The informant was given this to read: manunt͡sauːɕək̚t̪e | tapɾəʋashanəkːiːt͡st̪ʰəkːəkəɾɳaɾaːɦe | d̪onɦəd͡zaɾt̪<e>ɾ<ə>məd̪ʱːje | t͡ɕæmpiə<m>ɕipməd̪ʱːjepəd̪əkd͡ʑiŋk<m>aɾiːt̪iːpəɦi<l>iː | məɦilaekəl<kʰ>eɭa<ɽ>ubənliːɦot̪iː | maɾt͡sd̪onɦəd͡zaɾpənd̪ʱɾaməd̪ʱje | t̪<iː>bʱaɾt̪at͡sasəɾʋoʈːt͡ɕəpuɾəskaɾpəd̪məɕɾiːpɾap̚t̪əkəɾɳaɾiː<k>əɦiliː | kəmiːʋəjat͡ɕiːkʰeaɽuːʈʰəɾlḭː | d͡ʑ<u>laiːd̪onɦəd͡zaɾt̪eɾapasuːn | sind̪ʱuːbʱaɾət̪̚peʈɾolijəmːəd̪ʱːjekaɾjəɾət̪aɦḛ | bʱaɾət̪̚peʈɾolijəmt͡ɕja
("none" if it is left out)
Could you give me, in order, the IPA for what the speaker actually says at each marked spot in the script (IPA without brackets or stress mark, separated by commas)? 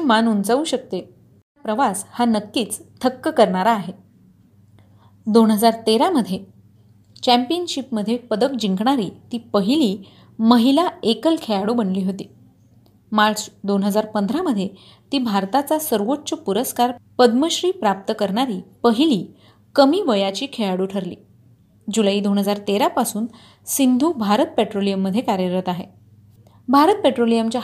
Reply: e, a, n, ɳ, l, kʰ, ɽ, iː, p, u